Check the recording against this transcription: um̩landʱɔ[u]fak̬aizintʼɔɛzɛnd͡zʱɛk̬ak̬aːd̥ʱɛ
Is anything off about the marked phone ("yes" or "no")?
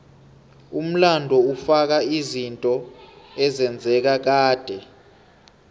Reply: no